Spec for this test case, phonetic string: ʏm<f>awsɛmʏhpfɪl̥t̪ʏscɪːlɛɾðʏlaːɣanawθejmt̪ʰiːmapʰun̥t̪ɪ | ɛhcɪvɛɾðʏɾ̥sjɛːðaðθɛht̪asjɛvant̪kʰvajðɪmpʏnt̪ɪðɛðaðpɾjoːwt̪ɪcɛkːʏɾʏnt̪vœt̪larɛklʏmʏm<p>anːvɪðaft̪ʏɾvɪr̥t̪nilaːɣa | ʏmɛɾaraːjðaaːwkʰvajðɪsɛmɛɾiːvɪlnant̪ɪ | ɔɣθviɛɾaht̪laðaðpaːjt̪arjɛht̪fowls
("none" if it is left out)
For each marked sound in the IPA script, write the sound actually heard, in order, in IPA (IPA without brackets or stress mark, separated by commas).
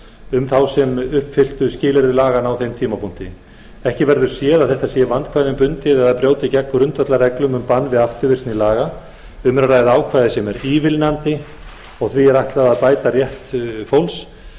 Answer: θ, p